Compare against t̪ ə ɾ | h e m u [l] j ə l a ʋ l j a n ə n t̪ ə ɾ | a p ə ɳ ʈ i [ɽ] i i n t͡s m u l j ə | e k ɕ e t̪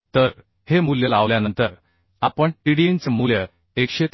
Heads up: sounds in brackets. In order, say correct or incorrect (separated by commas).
correct, correct